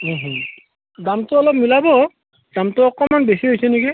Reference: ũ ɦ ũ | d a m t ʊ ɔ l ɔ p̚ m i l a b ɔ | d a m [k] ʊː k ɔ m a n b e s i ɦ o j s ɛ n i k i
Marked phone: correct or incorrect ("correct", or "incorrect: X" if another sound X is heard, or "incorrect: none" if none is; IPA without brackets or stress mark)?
incorrect: t